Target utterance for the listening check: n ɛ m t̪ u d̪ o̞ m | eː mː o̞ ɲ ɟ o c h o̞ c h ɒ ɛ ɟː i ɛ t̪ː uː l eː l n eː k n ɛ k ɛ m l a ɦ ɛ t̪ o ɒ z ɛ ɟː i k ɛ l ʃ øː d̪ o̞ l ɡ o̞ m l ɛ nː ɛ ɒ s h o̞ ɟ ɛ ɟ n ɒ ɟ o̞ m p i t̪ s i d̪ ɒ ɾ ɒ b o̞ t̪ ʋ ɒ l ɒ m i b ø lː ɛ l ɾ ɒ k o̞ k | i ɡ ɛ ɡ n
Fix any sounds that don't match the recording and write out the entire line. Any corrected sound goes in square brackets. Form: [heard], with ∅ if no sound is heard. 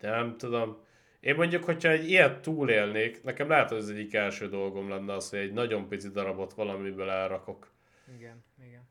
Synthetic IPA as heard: n ɛ m t̪ u d̪ o̞ m | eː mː o̞ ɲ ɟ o [k] h o̞ c h ɒ ɛ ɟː i ɛ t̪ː uː l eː l n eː k n ɛ k ɛ m l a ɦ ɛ t̪ o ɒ z ɛ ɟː i k ɛ l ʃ øː d̪ o̞ l ɡ o̞ m l ɛ nː ɛ ɒ s h o̞ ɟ ɛ ɟ n ɒ ɟ o̞ m p i t̪ s i d̪ ɒ ɾ ɒ b o̞ t̪ ʋ ɒ l ɒ m i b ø [l] ɛ l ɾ ɒ k o̞ k | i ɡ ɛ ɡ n